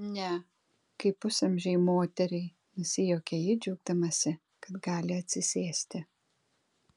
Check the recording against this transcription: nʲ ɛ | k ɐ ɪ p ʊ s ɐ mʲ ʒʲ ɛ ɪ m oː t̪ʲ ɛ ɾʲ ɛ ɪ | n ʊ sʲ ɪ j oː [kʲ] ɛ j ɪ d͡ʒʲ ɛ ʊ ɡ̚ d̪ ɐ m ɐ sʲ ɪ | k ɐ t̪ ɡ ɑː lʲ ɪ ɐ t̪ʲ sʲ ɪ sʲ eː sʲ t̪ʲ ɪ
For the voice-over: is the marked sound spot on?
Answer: yes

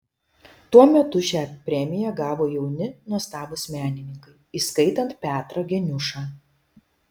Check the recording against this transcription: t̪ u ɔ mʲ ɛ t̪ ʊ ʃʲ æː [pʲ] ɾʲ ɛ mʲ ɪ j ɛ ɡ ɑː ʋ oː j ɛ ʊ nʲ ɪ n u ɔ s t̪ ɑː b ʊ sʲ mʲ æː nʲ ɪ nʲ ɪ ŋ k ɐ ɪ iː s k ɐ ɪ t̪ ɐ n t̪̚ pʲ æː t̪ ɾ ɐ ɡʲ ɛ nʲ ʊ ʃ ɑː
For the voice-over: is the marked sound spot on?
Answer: yes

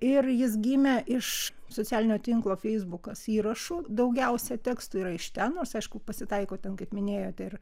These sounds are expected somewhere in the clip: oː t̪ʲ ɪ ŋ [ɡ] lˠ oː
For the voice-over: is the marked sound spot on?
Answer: no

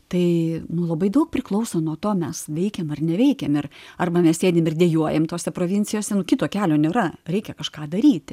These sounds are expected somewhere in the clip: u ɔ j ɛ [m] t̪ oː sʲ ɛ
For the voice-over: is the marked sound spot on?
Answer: yes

